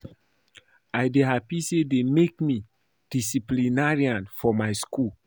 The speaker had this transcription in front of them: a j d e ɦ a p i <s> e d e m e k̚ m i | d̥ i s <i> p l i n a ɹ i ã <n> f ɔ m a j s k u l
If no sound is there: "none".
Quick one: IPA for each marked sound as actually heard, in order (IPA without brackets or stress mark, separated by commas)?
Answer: s, i, n